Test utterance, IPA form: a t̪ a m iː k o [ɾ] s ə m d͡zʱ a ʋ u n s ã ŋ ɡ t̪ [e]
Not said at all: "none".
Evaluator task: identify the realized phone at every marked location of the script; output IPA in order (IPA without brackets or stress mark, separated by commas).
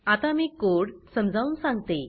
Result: ɽ, e